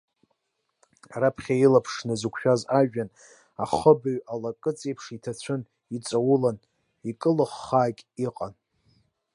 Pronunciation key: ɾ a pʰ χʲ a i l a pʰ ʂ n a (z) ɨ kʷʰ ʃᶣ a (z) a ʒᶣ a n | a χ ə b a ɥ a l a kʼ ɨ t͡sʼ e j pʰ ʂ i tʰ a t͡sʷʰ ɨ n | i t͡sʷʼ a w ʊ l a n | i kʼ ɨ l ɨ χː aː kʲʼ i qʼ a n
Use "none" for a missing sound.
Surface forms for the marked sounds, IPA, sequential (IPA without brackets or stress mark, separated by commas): z, z